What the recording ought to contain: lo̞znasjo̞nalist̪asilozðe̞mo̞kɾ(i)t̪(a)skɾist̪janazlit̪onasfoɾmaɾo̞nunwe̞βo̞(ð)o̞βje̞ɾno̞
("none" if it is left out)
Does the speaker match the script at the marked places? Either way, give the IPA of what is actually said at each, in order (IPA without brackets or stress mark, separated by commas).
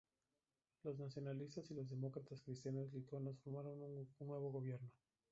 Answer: a, a, ɣ